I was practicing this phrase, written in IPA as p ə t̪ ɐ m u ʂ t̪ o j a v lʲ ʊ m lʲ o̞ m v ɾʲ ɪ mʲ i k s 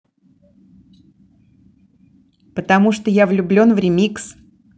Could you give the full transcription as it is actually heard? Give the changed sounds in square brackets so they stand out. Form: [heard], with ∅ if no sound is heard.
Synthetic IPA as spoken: p ə t̪ ɐ m u ʂ t̪ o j a v lʲ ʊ [b] lʲ o̞ [n] v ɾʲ ɪ mʲ i k s